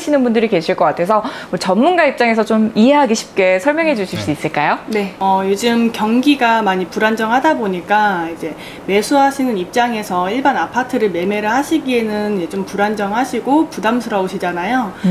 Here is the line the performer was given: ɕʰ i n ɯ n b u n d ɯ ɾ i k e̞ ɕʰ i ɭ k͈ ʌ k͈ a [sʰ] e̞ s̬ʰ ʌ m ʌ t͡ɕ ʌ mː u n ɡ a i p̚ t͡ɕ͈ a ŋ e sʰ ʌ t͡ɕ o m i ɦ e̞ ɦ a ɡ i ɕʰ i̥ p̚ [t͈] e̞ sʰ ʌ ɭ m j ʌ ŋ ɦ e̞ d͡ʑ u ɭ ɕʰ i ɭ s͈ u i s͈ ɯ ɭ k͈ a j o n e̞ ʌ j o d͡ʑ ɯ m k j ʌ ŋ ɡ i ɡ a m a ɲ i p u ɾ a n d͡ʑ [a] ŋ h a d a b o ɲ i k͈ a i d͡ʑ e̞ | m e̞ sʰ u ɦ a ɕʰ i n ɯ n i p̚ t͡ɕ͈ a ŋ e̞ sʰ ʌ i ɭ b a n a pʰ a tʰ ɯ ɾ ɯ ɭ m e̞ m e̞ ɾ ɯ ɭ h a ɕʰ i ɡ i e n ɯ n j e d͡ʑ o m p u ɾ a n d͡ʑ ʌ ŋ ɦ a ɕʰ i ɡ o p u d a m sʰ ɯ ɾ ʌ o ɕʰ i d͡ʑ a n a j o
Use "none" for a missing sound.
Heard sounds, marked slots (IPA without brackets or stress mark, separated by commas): tʰ, k͈, ʌ